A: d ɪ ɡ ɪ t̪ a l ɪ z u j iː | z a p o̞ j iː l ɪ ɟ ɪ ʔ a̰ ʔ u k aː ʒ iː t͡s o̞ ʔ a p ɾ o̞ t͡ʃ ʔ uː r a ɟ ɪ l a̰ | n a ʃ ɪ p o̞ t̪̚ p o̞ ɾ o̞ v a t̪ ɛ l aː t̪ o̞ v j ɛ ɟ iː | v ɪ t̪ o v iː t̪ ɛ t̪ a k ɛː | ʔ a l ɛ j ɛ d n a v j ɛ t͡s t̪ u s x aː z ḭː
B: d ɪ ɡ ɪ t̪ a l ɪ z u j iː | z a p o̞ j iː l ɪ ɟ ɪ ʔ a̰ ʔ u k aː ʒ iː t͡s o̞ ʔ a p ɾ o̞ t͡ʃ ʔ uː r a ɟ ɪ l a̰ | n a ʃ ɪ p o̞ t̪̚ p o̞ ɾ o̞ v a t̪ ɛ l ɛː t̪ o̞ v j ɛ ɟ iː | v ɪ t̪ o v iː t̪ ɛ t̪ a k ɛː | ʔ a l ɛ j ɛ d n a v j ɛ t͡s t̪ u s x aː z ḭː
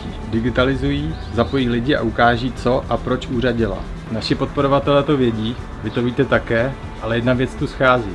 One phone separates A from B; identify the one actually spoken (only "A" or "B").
B